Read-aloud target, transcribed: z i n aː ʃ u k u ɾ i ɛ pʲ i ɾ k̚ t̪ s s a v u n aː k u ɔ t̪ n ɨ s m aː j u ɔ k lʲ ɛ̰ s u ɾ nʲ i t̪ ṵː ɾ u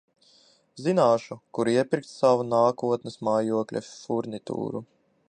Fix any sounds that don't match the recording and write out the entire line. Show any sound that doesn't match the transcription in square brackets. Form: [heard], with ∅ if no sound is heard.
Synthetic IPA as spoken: z i n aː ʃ u k u ɾ i ɛ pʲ i ɾ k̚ t̪ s s a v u n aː k u ɔ t̪ n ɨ s m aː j u ɔ k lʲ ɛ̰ [f] u ɾ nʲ i t̪ ṵː ɾ u